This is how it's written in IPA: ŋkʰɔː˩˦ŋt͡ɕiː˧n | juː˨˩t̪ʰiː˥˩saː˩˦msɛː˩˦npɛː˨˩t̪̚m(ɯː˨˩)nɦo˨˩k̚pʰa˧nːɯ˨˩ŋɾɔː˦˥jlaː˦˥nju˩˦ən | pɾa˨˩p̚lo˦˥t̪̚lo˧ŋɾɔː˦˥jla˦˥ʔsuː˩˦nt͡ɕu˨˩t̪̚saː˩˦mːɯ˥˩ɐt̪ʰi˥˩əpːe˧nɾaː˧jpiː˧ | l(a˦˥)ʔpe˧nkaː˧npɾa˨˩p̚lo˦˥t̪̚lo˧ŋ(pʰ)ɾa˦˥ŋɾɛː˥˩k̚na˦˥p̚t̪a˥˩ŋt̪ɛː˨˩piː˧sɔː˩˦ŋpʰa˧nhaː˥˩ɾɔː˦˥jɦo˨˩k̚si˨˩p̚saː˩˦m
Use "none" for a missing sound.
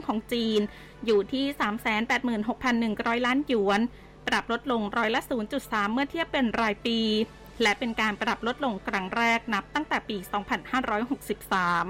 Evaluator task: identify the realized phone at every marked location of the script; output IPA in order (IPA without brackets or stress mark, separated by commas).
ɯː˨˩, ɛ˦˥, kʰ